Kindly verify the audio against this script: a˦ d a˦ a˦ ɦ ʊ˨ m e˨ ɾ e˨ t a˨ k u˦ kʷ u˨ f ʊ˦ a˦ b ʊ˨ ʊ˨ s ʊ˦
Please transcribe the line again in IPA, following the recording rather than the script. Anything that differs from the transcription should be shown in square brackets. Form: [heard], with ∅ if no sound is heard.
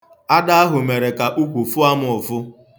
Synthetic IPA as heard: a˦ d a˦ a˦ ɦ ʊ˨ m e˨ ɾ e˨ [k] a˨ [ʔ] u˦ kʷ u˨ f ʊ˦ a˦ [m] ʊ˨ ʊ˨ [f] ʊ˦